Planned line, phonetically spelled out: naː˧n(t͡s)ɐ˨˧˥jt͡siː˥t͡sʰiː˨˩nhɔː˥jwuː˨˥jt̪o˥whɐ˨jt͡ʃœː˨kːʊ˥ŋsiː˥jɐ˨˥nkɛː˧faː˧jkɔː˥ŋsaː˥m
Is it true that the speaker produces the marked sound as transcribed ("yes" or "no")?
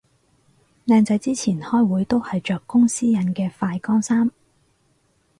yes